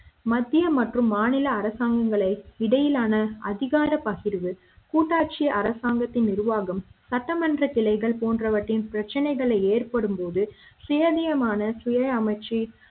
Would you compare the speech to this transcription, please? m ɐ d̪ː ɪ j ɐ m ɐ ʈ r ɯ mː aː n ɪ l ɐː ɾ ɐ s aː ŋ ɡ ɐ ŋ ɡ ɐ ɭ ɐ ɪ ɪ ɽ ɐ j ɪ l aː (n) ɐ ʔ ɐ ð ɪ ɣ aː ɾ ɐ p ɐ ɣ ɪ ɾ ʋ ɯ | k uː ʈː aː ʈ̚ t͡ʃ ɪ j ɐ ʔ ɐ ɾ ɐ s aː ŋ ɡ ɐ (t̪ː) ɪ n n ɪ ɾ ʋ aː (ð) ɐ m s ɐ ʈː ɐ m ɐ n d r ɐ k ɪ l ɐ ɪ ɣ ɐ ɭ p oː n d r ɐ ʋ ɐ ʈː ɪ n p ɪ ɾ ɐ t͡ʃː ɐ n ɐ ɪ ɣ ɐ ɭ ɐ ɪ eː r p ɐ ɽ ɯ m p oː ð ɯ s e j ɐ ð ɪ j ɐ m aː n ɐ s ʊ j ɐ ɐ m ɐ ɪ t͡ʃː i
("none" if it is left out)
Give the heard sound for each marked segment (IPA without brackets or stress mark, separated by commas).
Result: n, t̪ː, ɣ